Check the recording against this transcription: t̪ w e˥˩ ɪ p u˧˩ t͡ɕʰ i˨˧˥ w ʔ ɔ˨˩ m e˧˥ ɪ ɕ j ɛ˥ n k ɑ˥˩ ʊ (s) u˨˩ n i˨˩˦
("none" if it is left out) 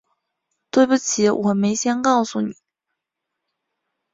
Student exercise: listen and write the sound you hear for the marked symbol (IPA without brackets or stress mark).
s